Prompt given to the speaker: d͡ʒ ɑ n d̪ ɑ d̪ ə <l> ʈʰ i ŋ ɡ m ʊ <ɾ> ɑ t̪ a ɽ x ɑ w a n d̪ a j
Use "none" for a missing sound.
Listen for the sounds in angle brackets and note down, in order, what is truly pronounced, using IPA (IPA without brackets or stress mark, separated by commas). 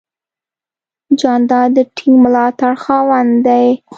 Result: none, l